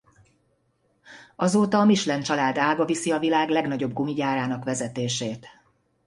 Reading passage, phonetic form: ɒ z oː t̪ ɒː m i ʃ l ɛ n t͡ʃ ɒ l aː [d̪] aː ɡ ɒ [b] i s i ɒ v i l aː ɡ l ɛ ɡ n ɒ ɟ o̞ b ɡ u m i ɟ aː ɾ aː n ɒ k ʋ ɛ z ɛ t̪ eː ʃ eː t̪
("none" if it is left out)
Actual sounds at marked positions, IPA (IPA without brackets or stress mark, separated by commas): d̪, v